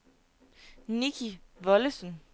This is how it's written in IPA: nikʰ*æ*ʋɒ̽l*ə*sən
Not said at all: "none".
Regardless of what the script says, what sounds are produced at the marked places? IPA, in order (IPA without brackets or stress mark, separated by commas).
i, ə